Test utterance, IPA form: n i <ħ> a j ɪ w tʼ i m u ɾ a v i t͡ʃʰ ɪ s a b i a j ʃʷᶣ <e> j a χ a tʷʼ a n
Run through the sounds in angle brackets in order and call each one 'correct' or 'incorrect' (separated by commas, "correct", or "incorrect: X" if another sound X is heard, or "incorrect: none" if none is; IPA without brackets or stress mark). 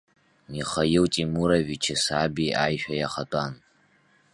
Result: incorrect: χ, incorrect: a